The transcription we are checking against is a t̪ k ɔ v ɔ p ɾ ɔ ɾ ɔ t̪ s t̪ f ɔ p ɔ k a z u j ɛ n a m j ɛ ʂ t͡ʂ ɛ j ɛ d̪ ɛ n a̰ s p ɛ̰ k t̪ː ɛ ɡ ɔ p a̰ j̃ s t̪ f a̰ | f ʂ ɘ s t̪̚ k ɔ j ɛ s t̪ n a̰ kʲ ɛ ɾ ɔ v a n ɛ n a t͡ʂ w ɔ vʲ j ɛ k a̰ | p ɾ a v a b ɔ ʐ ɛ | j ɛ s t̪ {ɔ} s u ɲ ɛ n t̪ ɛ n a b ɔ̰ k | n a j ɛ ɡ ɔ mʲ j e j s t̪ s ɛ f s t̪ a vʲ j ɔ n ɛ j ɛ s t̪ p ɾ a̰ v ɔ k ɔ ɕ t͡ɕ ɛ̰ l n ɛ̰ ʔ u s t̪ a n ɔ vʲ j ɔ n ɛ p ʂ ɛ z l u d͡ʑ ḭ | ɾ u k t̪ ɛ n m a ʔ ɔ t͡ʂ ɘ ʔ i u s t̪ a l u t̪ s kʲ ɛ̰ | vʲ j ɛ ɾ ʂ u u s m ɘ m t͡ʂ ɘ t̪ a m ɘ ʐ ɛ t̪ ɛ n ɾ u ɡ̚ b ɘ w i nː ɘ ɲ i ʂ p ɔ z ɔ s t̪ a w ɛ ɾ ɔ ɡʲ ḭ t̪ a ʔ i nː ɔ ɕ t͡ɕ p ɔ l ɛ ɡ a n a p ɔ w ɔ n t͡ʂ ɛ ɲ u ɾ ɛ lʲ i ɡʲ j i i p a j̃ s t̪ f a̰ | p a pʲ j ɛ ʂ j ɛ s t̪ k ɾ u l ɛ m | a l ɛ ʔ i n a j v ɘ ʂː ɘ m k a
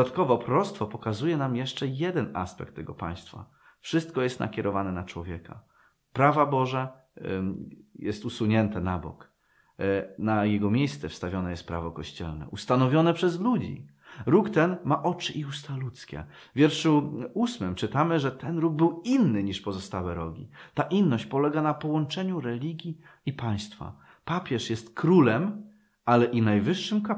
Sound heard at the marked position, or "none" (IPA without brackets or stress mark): u